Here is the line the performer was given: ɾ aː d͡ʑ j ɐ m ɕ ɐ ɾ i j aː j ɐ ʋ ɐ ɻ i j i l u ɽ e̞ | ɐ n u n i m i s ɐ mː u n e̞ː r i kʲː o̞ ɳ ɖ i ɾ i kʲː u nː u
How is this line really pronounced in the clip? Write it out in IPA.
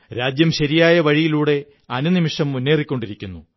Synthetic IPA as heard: ɾ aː d͡ʑ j ɐ m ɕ ɐ ɾ i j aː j ɐ ʋ ɐ ɻ i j i l uː ɽ e̞ | ɐ n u n i m i ʂ ɐ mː u nː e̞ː r i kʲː o̞ ɳ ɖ i ɾ i kʲː u nː u